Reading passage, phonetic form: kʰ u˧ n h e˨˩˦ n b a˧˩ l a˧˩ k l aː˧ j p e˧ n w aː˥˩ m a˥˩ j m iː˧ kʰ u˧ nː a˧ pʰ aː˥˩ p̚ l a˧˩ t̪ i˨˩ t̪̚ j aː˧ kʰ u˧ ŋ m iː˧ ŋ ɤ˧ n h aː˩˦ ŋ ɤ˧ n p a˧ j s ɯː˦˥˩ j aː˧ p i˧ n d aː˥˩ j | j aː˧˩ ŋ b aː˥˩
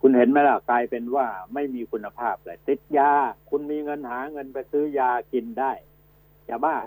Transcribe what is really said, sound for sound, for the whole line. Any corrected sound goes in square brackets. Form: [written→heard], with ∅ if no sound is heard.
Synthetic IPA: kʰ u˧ n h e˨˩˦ n [b→m] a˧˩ l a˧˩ k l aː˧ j p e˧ n w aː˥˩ m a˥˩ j m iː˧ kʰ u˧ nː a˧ pʰ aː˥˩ p̚ l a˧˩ t̪ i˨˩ t̪̚ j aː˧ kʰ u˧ [ŋ→n] m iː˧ ŋ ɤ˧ n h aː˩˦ ŋ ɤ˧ n p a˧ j s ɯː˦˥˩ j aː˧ [p→k] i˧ n d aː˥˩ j | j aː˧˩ [ŋ→∅] b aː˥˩